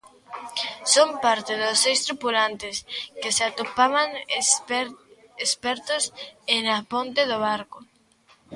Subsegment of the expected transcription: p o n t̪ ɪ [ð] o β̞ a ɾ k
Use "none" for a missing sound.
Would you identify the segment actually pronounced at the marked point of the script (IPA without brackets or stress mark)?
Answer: ð